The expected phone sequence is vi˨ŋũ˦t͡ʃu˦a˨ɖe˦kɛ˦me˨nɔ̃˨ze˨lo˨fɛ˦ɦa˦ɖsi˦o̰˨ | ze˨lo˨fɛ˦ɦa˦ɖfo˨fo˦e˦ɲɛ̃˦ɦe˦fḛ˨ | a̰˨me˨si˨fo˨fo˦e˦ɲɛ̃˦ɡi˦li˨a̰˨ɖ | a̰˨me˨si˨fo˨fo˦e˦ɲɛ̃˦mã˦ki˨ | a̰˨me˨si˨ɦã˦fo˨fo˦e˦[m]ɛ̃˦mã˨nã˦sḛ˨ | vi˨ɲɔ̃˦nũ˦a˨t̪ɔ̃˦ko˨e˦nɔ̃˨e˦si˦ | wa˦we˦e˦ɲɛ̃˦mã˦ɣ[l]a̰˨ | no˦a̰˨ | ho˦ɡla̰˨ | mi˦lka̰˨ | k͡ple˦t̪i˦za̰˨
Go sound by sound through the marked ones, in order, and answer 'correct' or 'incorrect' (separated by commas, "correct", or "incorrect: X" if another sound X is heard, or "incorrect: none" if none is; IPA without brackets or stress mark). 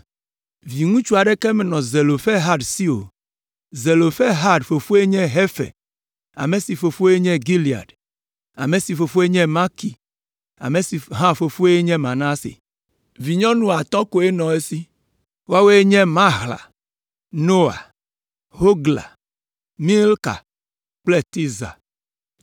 incorrect: ɲ, correct